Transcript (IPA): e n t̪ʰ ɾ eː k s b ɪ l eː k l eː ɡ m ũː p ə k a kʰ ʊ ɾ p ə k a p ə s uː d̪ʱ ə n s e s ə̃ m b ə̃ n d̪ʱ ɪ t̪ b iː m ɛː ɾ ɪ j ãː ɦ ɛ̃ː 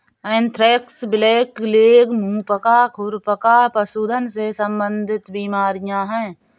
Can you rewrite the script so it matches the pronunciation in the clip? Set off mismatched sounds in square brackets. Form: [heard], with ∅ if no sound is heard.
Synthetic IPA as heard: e n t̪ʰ ɾ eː k s b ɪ l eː k l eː ɡ m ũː p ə k a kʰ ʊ ɾ p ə k a p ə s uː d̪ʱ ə n s e s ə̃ m b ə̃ n d̪ʱ ɪ t̪ b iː m [aː] ɾ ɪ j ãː ɦ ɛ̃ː